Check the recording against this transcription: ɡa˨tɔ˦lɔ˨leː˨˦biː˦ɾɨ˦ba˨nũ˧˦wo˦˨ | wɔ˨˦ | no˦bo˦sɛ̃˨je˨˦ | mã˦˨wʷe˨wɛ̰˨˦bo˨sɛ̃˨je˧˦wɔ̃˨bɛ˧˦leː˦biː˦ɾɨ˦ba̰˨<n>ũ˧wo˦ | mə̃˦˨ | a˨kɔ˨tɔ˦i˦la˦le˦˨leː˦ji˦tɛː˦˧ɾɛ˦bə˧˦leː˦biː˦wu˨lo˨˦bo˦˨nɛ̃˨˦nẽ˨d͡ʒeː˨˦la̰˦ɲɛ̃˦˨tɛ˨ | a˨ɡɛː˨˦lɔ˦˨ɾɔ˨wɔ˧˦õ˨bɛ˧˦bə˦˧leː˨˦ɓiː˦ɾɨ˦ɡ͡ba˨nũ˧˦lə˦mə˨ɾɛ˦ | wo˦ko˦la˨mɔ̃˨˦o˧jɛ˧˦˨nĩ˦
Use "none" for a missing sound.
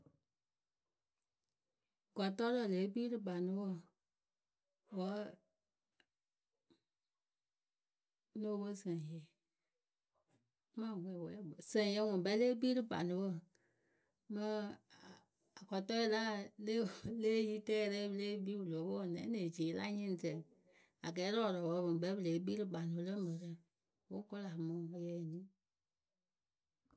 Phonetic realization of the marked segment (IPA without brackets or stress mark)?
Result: n